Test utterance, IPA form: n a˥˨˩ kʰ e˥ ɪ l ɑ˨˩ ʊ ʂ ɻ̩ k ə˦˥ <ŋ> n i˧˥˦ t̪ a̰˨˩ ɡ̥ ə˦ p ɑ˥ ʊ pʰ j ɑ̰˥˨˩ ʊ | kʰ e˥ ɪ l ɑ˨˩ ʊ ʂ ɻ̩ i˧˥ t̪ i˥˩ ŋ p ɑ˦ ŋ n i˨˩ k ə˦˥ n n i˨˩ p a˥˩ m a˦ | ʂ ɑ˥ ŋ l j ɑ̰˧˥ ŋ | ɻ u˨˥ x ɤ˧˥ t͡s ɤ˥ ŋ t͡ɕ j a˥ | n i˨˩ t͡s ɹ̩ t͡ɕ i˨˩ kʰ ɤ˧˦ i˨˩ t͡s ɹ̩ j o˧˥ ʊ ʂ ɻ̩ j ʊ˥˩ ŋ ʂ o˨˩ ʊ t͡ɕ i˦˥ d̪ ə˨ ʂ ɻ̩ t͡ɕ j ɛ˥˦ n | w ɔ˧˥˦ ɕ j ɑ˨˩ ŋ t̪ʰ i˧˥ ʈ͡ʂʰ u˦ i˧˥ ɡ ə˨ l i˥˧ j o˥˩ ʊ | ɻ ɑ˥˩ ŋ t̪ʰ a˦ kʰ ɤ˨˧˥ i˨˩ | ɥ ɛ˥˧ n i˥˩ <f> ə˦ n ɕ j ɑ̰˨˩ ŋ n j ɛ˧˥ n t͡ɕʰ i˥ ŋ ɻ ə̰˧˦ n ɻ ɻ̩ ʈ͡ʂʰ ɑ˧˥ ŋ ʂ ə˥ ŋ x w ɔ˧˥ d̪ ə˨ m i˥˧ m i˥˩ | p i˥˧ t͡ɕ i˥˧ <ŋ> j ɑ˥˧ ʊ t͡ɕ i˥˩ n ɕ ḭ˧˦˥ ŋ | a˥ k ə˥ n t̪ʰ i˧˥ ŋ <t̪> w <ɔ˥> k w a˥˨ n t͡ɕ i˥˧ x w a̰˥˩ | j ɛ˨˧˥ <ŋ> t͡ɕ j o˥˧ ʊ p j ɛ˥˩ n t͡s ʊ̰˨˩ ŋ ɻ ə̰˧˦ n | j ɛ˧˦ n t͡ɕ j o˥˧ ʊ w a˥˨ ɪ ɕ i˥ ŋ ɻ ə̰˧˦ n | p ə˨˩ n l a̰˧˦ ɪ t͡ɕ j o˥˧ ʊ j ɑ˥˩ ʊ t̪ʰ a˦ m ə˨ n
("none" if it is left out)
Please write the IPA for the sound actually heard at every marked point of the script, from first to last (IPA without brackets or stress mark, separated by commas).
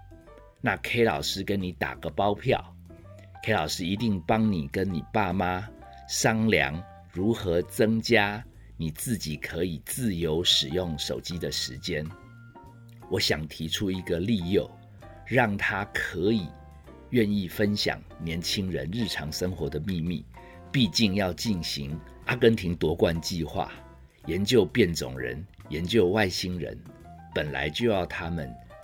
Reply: n, f, ŋ, t̪, ɔ˧˥, n